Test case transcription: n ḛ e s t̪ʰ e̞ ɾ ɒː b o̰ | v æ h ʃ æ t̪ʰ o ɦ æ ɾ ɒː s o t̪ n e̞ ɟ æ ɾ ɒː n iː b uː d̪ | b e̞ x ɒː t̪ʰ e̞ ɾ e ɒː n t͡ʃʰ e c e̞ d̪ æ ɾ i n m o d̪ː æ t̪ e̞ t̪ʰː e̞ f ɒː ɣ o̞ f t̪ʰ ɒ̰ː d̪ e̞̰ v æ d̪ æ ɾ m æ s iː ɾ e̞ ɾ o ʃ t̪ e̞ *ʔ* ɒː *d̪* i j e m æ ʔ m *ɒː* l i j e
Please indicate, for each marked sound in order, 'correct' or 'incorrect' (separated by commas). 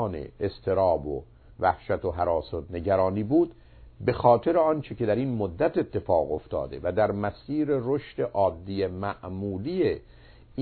correct, incorrect, incorrect